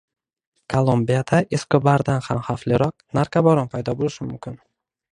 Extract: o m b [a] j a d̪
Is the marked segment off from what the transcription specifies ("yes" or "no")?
yes